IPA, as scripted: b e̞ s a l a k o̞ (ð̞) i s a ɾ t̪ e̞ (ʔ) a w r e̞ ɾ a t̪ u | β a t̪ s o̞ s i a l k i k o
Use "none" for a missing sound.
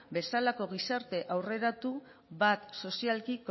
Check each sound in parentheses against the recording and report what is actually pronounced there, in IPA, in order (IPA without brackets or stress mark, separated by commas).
ɣ̞, ʔ